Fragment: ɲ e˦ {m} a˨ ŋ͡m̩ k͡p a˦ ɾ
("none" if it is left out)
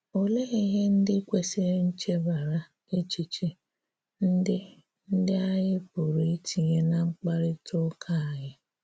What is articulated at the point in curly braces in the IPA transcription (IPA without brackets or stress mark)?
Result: n